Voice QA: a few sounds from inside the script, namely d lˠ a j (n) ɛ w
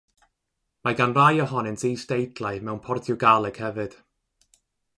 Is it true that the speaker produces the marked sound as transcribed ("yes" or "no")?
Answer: no